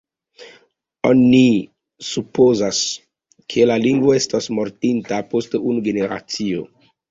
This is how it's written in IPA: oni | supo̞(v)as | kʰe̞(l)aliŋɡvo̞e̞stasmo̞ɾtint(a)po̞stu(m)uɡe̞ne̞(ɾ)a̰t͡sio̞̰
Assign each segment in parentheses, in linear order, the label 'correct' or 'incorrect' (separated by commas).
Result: incorrect, correct, correct, incorrect, correct